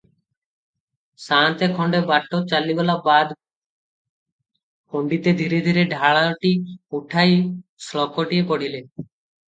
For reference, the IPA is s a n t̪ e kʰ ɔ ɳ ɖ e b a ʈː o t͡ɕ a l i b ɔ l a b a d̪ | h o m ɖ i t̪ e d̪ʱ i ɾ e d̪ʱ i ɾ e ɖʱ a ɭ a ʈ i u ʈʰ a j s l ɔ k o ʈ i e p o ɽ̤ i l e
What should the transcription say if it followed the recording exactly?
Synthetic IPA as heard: s a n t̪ e kʰ ɔ ɳ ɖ e b a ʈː o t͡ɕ a l i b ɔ l a b a d̪ | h o ɳ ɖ i t̪ e d̪ʱ i ɾ e d̪ʱ i ɾ e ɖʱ a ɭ a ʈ i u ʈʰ a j s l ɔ k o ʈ i e p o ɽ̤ i l e

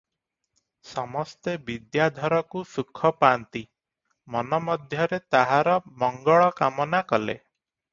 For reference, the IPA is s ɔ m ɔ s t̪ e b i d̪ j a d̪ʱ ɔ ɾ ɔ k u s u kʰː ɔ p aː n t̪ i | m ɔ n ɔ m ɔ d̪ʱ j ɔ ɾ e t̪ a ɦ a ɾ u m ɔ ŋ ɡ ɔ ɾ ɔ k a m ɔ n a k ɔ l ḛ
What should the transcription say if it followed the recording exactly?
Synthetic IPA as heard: s ɔ m ɔ s t̪ e b i d̪ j a d̪ʱ ɔ ɾ ɔ k u s u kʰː ɔ p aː n t̪ i | m ɔ n ɔ m ɔ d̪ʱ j ɔ ɾ e t̪ a ɦ a ɾ ɔ m ɔ ŋ ɡ ɔ ɭ ɔ k a m ɔ n a k ɔ l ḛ

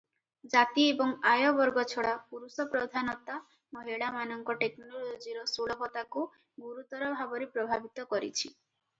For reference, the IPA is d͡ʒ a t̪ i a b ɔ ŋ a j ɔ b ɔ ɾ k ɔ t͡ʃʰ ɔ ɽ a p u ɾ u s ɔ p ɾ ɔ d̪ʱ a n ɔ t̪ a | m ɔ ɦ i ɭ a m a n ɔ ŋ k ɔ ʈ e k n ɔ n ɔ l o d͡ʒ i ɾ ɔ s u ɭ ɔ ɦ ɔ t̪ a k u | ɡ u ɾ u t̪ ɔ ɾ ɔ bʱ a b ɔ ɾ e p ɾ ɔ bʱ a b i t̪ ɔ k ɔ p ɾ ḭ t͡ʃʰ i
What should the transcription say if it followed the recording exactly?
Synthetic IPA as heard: d͡ʒ a t̪ i e b ɔ ŋ a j ɔ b ɔ ɾ ɡ ɔ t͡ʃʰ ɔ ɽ a p u ɾ u s ɔ p ɾ ɔ d̪ʱ a n ɔ t̪ a | m ɔ ɦ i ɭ a m a n ɔ ŋ k ɔ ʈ e k n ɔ n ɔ l o d͡ʒ i ɾ ɔ s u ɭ ɔ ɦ ɔ t̪ a k u | ɡ u ɾ u t̪ ɔ ɾ ɔ bʱ a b ɔ ɾ e p ɾ ɔ bʱ a b i t̪ ɔ k ɔ ɾ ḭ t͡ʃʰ i

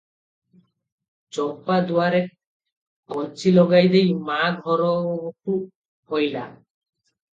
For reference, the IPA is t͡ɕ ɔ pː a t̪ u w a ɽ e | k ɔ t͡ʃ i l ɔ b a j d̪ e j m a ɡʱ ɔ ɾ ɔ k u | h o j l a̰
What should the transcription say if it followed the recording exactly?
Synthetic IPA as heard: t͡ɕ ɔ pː a d̪ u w a ɾ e | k ɔ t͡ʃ i l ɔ ɡ a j d̪ e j m a ɡʱ ɔ ɾ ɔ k u | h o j l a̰

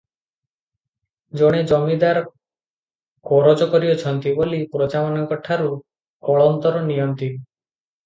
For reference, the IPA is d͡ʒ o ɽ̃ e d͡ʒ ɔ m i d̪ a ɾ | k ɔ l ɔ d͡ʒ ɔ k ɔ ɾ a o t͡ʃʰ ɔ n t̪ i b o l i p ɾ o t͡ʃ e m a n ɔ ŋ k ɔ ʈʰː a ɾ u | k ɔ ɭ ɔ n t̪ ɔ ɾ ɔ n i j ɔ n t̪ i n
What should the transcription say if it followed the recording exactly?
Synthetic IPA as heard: d͡ʒ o ɽ̃ e d͡ʒ ɔ m i d̪ a ɾ | k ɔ ɾ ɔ d͡ʒ ɔ k ɔ ɾ i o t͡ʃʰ ɔ n t̪ i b o l i p ɾ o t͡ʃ a m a n ɔ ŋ k ɔ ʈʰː a ɾ u | k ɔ ɭ ɔ n t̪ ɔ ɾ ɔ n i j ɔ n t̪ i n

